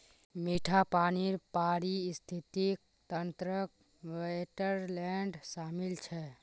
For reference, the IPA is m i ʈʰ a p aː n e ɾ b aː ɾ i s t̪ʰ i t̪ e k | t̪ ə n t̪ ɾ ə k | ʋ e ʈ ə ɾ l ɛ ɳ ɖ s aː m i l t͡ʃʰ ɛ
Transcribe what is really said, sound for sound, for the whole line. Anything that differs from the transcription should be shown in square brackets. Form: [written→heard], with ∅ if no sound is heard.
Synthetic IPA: m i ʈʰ a p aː n [e→i] ɾ [b→p] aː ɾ i s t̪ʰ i t̪ [e→i] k | t̪ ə n t̪ ɾ ə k | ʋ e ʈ ə ɾ l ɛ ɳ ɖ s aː m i l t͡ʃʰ ɛ